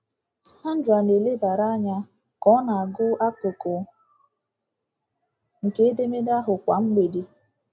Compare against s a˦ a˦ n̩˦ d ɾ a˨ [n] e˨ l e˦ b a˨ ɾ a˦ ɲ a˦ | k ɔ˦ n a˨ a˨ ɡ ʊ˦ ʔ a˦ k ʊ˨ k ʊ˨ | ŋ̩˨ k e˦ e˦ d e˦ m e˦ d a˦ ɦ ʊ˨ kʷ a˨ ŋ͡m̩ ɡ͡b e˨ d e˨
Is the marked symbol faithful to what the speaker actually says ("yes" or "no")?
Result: yes